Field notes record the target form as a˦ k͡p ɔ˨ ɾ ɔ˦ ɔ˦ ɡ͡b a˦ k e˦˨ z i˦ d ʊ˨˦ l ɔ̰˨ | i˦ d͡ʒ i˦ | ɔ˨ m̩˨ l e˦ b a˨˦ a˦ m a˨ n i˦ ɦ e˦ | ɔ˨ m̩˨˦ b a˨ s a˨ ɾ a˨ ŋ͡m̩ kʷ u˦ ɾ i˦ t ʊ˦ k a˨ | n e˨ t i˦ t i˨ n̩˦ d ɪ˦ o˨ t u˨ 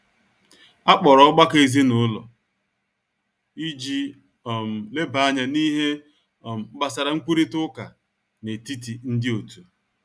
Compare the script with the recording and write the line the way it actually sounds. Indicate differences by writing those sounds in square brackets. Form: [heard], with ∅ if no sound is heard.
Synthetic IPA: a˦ k͡p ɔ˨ ɾ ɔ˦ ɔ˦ ɡ͡b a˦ k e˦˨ z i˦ [n] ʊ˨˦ l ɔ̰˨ | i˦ d͡ʒ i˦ | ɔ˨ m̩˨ l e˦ b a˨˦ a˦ [ɲ] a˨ n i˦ ɦ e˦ | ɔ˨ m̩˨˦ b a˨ s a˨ ɾ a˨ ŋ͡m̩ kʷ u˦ ɾ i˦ t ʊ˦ k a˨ | n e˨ t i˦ t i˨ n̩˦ d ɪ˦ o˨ t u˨